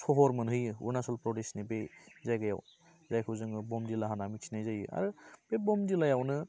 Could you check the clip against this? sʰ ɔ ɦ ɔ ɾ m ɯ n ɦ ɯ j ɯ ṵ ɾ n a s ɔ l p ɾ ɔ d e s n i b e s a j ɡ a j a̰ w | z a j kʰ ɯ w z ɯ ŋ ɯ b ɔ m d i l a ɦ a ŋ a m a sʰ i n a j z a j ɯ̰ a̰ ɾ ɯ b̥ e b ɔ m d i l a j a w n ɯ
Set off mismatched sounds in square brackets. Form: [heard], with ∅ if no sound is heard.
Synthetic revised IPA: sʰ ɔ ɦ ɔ ɾ m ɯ n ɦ ɯ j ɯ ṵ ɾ n a s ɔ l p ɾ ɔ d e s n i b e [z] a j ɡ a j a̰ w | z a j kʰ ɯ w z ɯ ŋ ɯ b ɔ m d i l a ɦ a [n] a m [i] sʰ i n a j z a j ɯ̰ a̰ ɾ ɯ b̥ e b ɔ m d i l a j a w n ɯ

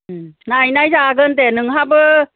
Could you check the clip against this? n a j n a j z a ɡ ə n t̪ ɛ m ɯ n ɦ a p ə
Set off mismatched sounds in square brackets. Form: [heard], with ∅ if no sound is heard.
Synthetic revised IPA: n a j n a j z a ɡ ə n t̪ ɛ [n] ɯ [ŋ] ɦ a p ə

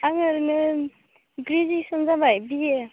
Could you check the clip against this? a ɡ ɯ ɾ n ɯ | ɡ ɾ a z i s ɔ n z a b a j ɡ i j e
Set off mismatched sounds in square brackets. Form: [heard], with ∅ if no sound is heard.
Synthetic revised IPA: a [ŋ] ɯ ɾ n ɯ | ɡ ɾ [i] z i s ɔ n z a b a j [b] i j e

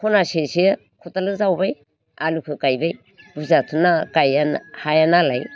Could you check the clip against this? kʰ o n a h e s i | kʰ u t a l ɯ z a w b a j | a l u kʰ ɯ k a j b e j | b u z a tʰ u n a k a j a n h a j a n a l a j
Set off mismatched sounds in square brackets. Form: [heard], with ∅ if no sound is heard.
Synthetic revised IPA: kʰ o n a [s] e s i | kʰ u t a l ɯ z a w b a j | a l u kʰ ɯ k a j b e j | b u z a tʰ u n a k a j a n h a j a n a l a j

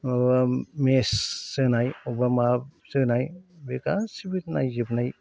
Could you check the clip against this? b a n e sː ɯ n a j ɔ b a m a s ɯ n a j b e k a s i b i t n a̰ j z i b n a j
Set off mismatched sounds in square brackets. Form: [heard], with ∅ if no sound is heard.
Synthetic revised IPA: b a [m] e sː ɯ n a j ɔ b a m a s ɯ n a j b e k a s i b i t n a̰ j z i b n a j

